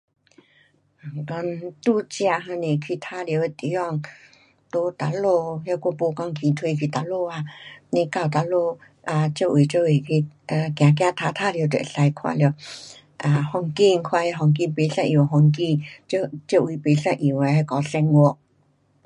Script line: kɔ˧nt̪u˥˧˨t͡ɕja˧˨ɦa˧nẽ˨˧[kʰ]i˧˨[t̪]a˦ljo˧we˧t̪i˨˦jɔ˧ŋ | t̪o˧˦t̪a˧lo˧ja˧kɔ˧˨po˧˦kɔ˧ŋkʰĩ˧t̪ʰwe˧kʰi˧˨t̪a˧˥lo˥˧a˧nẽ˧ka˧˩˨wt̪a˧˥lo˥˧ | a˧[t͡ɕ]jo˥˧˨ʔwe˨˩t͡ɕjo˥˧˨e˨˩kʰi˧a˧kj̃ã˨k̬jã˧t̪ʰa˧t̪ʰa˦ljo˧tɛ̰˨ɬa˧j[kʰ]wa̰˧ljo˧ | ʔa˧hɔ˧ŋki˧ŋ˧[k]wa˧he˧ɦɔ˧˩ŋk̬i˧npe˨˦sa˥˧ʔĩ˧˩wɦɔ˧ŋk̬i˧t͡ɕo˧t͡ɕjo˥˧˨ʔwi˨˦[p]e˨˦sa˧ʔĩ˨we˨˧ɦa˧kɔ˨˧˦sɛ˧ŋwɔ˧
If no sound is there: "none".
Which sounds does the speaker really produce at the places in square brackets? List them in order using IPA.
kʰ, t̪ʰ, t͡ɕ, kʰ, kʰ, p

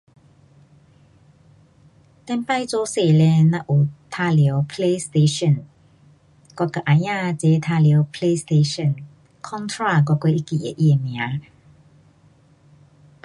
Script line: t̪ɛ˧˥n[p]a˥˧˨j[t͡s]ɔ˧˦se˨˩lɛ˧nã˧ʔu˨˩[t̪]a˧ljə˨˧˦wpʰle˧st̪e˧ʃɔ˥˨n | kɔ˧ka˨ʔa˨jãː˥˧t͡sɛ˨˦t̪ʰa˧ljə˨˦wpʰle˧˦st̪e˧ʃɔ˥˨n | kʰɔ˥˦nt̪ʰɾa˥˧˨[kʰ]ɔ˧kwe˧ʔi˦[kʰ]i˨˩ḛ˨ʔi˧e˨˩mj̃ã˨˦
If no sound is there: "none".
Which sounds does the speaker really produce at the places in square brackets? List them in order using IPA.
p, t͡s, t̪ʰ, k, k

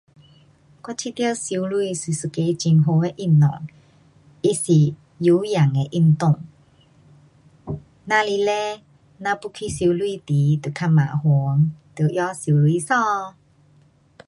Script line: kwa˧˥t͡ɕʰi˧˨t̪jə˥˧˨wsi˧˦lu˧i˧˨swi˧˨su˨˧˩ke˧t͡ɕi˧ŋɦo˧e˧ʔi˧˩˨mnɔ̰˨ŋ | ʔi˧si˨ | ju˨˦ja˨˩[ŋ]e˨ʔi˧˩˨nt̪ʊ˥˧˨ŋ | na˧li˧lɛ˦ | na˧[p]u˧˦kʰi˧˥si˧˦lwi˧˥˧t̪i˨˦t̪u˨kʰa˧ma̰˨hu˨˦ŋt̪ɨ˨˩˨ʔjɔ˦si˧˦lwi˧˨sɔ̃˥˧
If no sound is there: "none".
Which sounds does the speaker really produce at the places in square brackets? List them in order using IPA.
ŋ, p

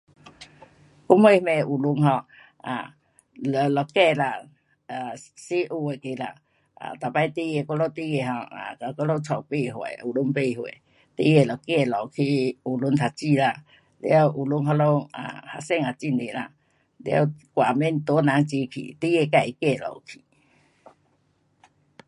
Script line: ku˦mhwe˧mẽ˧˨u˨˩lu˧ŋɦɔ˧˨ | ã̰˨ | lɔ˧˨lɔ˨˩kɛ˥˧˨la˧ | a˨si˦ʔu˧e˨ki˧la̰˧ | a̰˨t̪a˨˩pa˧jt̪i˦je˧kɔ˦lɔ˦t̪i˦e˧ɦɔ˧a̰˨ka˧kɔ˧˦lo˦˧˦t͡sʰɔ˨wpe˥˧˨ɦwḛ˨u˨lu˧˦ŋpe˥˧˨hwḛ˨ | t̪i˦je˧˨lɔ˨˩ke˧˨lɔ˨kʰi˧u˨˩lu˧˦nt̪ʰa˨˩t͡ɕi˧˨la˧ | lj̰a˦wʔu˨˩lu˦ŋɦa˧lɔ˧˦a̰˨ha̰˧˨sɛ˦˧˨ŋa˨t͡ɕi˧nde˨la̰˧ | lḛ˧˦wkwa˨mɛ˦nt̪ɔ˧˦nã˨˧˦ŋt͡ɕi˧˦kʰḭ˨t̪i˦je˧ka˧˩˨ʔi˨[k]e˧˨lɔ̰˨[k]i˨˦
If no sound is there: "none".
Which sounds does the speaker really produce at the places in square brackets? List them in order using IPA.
k, kʰ

